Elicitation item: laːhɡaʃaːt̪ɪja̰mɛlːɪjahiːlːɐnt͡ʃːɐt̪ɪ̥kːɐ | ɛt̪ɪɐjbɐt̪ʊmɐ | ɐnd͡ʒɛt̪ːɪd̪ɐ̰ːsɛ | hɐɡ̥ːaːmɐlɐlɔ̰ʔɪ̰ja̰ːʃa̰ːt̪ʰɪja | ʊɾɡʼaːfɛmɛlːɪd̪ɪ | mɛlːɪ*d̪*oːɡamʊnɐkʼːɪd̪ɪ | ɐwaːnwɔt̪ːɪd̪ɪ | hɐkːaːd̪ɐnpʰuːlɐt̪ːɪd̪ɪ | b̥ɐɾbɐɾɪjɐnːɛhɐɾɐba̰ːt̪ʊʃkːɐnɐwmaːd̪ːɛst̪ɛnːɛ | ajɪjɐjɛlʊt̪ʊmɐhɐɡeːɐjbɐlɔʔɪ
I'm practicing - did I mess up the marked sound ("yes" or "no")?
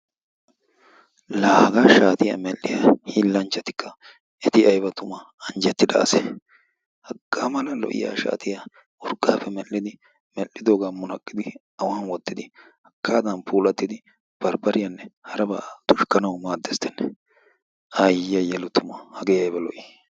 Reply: no